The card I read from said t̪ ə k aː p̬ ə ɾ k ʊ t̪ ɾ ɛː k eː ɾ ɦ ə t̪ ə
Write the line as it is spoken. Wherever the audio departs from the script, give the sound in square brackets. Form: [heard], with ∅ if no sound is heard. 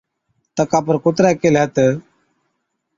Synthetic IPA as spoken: t̪ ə k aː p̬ ə ɾ k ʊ t̪ ɾ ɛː k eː [l] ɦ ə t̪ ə